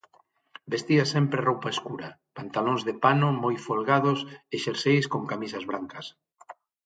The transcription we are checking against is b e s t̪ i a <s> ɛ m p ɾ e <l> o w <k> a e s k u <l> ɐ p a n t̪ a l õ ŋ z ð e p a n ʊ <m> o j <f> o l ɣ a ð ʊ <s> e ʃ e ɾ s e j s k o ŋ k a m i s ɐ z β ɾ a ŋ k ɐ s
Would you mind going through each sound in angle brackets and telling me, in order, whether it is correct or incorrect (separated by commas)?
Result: correct, incorrect, incorrect, incorrect, correct, correct, correct